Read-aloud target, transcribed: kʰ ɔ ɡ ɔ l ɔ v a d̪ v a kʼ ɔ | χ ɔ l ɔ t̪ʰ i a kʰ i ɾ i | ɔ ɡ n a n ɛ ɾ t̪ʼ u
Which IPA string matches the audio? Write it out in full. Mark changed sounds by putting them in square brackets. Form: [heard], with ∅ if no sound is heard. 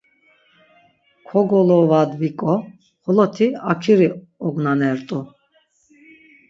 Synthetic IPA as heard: kʰ ɔ ɡ ɔ l ɔ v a d̪ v [i] kʼ ɔ | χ ɔ l ɔ t̪ʰ i a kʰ i ɾ i | ɔ ɡ n a n ɛ ɾ t̪ʼ u